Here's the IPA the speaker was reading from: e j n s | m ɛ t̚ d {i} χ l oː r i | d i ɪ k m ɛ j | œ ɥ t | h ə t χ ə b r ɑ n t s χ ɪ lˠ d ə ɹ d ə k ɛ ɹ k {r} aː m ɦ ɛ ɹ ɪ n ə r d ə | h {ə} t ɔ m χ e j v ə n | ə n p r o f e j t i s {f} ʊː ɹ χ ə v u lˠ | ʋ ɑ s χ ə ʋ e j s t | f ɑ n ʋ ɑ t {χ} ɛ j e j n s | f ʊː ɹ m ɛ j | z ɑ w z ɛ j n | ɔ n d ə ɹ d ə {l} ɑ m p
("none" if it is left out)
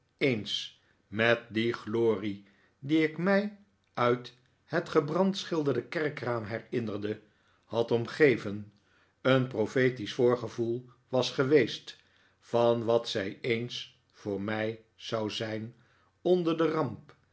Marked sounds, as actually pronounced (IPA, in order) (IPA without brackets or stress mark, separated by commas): i, r, ɑ, f, s, r